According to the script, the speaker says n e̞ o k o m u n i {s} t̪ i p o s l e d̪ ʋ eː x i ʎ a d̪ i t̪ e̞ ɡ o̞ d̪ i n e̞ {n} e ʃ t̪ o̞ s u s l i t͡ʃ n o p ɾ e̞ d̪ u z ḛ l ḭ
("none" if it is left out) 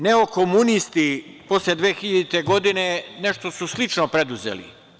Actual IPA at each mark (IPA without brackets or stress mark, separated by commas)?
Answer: s, n